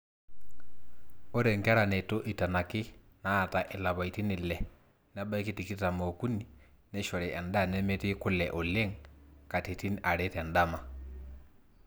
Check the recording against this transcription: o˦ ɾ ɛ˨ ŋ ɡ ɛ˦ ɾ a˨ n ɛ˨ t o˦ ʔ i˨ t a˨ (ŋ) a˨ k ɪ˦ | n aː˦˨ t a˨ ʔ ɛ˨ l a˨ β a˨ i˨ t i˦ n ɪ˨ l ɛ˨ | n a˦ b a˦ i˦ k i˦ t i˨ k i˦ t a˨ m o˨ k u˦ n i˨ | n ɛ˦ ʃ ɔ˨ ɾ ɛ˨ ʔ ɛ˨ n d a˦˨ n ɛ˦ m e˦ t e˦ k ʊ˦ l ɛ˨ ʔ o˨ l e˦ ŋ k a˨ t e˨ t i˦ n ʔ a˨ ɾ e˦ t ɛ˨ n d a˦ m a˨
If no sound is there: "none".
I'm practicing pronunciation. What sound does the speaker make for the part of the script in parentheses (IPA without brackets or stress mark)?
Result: n